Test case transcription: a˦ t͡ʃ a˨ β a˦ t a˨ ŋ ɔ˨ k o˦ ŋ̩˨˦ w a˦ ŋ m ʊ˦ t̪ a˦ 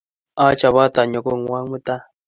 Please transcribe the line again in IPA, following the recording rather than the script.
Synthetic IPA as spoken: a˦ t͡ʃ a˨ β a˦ t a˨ ɲ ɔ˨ k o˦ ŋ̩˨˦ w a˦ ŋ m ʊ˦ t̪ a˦